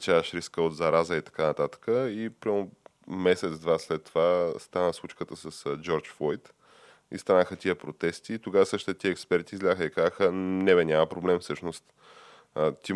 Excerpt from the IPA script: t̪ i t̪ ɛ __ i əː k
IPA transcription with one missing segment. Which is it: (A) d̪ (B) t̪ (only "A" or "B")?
B